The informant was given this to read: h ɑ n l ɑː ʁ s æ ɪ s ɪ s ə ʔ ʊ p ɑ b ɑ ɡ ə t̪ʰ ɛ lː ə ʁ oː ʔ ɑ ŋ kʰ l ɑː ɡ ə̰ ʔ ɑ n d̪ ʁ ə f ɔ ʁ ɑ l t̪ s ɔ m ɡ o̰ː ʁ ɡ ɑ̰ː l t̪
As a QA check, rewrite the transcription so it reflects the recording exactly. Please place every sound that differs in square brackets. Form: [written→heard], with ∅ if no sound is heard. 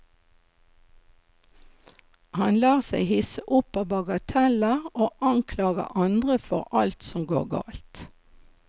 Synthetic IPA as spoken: h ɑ n l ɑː ʁ s æ ɪ [s→h] ɪ s ə ʔ ʊ p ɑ b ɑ ɡ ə t̪ʰ ɛ [lː→l] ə ʁ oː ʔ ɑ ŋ kʰ l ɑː ɡ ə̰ ʔ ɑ n d̪ ʁ ə f ɔ ʁ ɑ l t̪ s ɔ m ɡ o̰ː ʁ ɡ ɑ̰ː l t̪